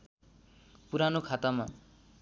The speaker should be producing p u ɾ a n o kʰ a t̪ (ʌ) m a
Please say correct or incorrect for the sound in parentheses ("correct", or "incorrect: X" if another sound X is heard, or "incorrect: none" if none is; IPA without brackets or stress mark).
incorrect: a